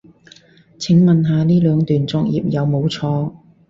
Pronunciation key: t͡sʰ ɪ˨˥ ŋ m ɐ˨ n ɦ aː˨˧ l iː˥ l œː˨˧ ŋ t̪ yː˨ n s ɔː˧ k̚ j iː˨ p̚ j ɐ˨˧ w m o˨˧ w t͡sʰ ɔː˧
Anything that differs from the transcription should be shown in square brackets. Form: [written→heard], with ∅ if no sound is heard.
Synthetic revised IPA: t͡sʰ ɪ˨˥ ŋ m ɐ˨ n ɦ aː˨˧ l iː˥ l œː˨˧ ŋ t̪ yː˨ n [s→t͡s] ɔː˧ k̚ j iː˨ p̚ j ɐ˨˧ w m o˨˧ w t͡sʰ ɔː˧